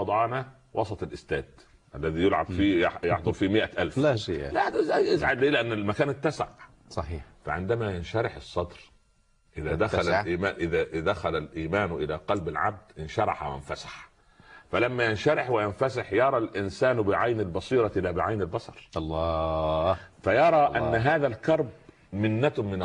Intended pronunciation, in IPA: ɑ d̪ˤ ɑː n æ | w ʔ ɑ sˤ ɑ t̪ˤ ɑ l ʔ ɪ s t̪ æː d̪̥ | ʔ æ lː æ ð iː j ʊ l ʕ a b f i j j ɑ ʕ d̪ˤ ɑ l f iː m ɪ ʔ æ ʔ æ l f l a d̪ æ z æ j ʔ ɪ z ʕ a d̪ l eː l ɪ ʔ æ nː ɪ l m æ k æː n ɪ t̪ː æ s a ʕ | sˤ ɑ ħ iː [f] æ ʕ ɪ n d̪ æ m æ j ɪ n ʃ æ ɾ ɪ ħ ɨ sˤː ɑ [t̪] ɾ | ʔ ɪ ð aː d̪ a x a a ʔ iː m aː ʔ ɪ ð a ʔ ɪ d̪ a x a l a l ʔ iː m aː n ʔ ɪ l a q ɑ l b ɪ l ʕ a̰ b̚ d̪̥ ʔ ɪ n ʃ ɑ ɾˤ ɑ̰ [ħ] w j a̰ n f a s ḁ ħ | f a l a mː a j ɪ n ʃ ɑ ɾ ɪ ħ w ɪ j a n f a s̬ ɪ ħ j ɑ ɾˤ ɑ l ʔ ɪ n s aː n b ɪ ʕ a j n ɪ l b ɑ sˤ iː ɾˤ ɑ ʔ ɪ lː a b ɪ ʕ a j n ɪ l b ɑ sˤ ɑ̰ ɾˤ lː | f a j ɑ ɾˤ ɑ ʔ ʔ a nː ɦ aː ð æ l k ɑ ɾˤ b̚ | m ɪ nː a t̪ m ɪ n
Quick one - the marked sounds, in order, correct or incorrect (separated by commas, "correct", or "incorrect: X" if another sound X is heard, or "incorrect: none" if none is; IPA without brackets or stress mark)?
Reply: correct, incorrect: d̪, correct